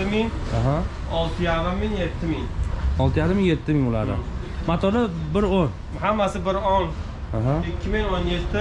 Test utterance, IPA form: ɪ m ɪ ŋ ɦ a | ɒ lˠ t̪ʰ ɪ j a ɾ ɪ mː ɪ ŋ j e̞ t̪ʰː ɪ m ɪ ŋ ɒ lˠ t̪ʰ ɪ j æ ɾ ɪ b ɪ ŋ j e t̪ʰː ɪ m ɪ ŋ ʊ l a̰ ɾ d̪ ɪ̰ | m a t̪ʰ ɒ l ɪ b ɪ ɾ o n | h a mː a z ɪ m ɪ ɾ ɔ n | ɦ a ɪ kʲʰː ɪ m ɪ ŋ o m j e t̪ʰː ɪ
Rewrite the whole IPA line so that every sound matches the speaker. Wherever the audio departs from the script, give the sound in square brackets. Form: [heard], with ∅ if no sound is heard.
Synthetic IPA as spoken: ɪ m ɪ ŋ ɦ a | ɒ lˠ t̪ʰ ɪ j a ɾ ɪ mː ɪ ŋ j e̞ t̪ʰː ɪ m ɪ ŋ ɒ lˠ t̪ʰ ɪ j [a] ɾ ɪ [m] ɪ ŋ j e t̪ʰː ɪ m ɪ ŋ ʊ l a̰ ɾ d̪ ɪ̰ | m a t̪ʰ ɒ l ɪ b ɪ ɾ o n | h a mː a [s] ɪ [b] ɪ ɾ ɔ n | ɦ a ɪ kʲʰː ɪ m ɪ ŋ o [n] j e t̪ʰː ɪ

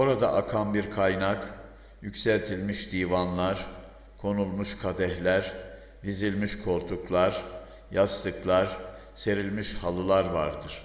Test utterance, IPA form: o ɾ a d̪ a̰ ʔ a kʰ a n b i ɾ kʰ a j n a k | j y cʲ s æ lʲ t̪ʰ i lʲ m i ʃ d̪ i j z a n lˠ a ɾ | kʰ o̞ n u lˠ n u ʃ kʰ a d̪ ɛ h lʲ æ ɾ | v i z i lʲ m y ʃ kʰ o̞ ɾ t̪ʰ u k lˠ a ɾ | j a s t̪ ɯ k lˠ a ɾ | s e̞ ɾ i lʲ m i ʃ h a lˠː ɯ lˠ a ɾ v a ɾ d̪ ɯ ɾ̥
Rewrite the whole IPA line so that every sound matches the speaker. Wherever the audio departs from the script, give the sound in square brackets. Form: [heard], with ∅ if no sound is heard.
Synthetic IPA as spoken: o ɾ a d̪ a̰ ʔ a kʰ a n b i ɾ kʰ a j n a k | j y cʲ s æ lʲ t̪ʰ i lʲ m i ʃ d̪ i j [v] a n lˠ a ɾ | kʰ o̞ n u lˠ [m] u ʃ kʰ a d̪ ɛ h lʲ æ ɾ | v i z i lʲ m [i] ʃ kʰ o̞ ɾ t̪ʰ u k lˠ a ɾ | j a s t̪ ɯ k lˠ a ɾ | s e̞ ɾ i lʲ m i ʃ h a [lˠ] ɯ lˠ a ɾ v a ɾ d̪ ɯ ɾ̥

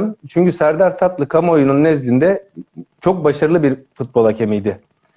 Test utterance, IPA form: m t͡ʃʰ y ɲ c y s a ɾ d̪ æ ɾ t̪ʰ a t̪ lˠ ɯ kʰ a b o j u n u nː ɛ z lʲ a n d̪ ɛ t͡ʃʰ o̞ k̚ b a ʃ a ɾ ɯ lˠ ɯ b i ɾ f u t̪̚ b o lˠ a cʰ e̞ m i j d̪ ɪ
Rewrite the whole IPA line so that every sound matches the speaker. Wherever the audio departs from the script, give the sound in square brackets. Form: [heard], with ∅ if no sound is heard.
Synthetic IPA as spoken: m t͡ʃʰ y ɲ c y s [æ] ɾ d̪ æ ɾ t̪ʰ a t̪ lˠ ɯ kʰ a [m] o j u n u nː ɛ z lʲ [i] n d̪ ɛ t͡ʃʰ o̞ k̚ b a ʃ a ɾ ɯ lˠ ɯ b i ɾ f u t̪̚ b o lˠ a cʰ e̞ m i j d̪ ɪ

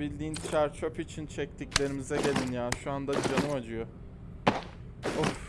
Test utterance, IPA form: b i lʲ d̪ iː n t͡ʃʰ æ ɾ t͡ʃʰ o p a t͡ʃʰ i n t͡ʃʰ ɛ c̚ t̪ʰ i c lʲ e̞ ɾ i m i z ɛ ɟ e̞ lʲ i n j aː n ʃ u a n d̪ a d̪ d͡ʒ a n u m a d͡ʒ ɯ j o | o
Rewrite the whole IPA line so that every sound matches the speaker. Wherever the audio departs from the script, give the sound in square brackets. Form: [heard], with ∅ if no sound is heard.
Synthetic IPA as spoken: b i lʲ d̪ iː n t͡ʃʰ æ ɾ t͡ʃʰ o p [i] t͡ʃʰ i n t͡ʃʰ ɛ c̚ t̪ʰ i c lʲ e̞ ɾ i m i z ɛ ɟ e̞ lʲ i n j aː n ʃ u a n d̪ a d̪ d͡ʒ a n [ɯ] m a d͡ʒ ɯ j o | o

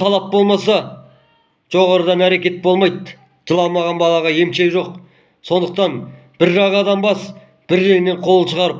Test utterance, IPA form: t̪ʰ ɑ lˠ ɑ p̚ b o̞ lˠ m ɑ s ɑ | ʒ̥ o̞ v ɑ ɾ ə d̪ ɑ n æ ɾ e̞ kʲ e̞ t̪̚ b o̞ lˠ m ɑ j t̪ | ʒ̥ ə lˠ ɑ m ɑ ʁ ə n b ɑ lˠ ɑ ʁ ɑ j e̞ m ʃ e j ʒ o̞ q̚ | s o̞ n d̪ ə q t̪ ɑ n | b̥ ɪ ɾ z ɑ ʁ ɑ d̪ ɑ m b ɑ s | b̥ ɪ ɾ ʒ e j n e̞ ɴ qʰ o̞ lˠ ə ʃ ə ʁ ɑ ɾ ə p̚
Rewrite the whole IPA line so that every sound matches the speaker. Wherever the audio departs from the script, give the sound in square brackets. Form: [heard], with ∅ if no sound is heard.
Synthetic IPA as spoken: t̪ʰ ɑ lˠ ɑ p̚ b o̞ lˠ m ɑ s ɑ | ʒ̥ o̞ [ʁ] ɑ ɾ ə d̪ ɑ n æ ɾ e̞ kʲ e̞ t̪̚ b o̞ lˠ m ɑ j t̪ | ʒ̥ ə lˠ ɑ m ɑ ʁ [ɑ] n b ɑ lˠ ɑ ʁ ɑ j e̞ m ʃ e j ʒ o̞ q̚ | s o̞ n d̪ ə q t̪ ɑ n | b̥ ɪ ɾ [ʒ] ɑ ʁ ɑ d̪ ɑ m b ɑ s | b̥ ɪ ɾ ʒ e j n e̞ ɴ qʰ o̞ lˠ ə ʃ ə ʁ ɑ ɾ ə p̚

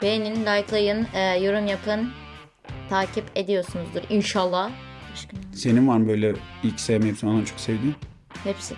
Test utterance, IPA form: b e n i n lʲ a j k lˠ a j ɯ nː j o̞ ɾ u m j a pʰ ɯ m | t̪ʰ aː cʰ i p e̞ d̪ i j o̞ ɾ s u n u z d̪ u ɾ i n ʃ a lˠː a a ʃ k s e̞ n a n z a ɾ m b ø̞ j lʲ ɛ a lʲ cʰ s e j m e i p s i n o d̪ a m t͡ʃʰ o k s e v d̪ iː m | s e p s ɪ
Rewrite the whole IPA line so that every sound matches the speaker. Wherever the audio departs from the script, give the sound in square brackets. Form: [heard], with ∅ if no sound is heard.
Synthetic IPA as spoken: b e n i n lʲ a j k lˠ a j ɯ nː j o̞ ɾ u m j a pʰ ɯ [n] | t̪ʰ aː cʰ i p e̞ d̪ i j o̞ ɾ s u n u z d̪ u ɾ i n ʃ a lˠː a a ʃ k s e̞ n [i] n [v] a ɾ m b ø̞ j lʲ ɛ [i] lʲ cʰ s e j m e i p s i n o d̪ a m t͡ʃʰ o k s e v d̪ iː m | [h] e p s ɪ

